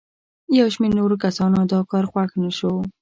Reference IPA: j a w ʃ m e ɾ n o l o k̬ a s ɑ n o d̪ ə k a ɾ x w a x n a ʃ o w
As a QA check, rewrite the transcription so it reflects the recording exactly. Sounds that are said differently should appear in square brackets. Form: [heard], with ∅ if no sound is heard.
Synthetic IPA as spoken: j a w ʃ m e ɾ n o [ɾ] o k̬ a s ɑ n o d̪ [ɑ] k [ɑ] ɾ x w a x n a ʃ o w